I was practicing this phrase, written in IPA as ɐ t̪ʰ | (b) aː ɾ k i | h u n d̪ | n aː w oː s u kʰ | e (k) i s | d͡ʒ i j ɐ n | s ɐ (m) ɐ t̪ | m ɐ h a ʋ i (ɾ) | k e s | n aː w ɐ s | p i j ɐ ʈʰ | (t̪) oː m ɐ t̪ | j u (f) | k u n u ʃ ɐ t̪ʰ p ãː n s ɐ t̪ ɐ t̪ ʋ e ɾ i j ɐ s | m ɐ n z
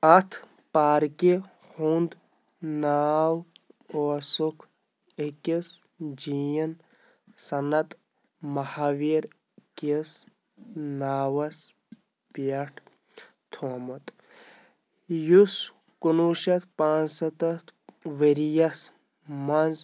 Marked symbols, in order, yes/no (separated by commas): no, yes, no, yes, no, no